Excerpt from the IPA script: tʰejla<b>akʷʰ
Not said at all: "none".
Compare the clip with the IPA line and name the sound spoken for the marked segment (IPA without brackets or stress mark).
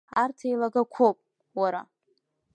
ɡ